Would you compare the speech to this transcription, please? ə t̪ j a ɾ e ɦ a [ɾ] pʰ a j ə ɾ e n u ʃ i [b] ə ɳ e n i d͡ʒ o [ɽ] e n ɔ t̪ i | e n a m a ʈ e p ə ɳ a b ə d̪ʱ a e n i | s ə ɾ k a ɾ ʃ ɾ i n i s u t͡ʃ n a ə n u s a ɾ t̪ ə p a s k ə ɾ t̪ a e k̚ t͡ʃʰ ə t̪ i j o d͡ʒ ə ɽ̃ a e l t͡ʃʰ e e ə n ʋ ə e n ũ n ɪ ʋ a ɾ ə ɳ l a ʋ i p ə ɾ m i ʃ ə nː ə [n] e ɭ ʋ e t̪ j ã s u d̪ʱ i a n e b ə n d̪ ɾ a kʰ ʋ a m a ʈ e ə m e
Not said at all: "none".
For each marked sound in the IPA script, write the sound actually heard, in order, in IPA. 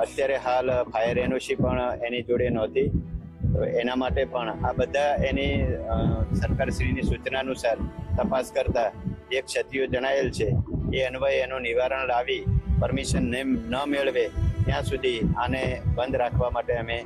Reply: l, p, ɽ, m

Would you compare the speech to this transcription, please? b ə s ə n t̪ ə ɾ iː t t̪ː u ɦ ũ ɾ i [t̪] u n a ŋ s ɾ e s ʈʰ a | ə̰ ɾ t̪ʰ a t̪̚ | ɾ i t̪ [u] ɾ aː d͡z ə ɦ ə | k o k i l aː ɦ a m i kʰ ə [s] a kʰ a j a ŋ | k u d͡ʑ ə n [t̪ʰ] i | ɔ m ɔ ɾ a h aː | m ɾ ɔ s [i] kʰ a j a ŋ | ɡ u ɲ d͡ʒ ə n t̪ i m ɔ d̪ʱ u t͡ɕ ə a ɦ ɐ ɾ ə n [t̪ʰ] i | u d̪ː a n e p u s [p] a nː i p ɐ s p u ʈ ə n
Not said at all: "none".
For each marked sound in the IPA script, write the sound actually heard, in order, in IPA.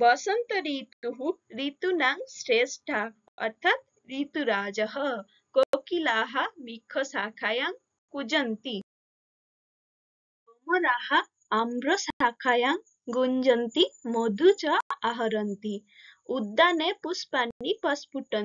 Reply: t̪, u, s, t̪, a, t̪, p

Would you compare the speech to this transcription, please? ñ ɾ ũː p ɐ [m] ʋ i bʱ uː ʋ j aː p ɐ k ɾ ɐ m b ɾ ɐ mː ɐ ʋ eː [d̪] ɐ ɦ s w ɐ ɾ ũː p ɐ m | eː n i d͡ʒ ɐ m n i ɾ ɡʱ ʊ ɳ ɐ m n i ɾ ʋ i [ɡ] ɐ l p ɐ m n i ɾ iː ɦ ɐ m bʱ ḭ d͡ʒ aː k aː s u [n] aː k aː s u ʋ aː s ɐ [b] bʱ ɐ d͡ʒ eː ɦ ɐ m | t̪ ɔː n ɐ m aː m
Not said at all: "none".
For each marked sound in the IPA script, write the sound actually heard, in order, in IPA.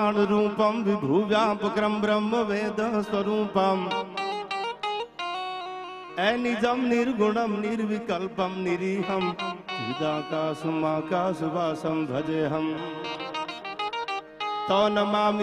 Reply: m, d̪, k, m, m

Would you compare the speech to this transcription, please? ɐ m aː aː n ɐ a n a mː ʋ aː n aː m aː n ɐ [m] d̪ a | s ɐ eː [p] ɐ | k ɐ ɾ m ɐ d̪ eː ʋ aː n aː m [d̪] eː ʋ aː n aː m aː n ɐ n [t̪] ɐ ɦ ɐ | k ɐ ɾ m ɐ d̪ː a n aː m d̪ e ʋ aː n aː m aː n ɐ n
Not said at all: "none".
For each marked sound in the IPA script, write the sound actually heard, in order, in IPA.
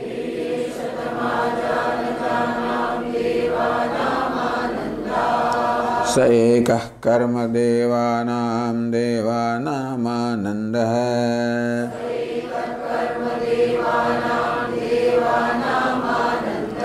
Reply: n, k, d̪, d̪

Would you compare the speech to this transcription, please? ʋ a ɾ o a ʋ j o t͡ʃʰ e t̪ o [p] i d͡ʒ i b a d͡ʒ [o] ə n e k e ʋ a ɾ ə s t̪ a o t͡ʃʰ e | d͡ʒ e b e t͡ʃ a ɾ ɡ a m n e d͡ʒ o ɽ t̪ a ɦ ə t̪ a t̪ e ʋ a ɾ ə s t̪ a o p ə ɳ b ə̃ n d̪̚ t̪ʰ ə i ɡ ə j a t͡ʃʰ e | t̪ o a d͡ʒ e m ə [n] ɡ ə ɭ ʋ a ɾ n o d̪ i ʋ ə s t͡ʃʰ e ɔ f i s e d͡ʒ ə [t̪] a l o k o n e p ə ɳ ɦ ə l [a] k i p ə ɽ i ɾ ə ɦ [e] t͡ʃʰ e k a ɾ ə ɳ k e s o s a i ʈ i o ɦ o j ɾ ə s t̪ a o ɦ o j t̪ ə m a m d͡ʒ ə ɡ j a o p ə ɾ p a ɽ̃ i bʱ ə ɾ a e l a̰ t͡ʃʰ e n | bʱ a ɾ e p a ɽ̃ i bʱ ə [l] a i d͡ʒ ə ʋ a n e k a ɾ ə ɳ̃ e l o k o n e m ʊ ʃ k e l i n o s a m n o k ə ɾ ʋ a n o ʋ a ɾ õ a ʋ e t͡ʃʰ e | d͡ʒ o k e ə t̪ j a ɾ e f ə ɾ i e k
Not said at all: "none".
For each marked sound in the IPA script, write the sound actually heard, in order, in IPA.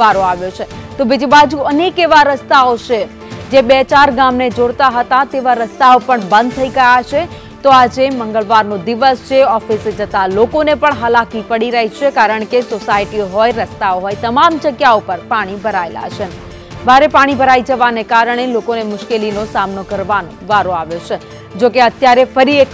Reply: b, u, ŋ, t̪, a, i, ɾ

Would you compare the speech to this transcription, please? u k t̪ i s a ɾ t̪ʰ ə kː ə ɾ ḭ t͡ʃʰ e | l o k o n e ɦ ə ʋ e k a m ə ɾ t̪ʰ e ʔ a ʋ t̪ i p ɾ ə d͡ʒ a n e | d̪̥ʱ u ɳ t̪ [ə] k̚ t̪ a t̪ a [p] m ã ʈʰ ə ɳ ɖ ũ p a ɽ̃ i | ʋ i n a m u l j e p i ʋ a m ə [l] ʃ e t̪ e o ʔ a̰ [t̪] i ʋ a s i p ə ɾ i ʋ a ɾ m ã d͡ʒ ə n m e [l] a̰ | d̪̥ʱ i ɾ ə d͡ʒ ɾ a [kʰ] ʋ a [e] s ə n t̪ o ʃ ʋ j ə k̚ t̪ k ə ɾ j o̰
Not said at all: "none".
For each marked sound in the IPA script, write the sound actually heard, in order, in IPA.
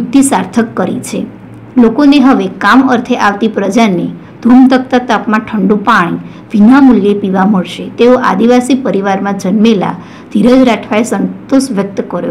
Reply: ə, p, ɭ, d̪, l, ʈʰ, e

